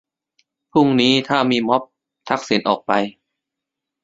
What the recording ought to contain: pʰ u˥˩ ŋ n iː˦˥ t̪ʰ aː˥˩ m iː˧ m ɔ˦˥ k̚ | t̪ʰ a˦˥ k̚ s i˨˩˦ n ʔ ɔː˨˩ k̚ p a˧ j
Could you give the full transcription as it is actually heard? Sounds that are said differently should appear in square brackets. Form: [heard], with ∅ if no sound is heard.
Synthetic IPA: pʰ u˥˩ ŋ n iː˦˥ t̪ʰ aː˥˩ m iː˧ m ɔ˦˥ [p̚] | t̪ʰ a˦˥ k̚ s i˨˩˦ n ʔ ɔː˨˩ k̚ p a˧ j